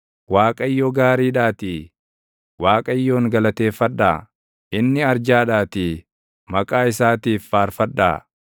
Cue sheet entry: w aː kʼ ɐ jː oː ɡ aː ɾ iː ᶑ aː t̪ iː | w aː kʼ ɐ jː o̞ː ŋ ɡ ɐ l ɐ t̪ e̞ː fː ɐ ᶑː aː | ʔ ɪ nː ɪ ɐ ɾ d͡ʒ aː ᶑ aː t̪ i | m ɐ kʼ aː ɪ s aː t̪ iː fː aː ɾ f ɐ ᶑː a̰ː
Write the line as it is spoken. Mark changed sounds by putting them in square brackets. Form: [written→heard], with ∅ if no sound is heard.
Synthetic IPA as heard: w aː kʼ ɐ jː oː ɡ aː ɾ iː ᶑ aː t̪ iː | w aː kʼ ɐ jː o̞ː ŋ ɡ ɐ l ɐ t̪ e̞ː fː ɐ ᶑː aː | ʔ ɪ nː ɪ ɐ ɾ d͡ʒ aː ᶑ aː t̪ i | m ɐ kʼ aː ɪ s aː t̪ iː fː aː ɾ f ɐ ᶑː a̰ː